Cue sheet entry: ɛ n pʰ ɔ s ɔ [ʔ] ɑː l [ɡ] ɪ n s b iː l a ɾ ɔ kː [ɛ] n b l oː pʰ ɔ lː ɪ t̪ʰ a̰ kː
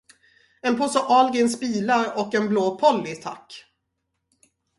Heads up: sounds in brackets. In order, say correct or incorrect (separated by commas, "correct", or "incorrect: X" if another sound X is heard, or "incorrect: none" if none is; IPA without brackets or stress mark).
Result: correct, correct, correct